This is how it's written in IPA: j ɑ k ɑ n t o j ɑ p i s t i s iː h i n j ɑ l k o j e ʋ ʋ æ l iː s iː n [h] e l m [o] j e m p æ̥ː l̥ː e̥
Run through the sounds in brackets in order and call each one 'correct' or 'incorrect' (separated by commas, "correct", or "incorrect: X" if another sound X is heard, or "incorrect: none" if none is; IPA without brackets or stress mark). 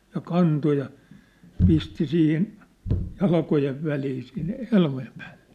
correct, correct